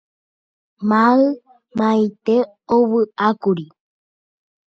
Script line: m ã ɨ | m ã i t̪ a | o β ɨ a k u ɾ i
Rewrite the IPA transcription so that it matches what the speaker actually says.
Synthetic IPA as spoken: m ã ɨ | m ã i t̪ e | o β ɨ a k u ɾ i